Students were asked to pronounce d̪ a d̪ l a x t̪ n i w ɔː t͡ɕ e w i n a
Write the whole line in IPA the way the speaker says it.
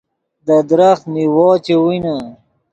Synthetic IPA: d̪ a d̪ ɾ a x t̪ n i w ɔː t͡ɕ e w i n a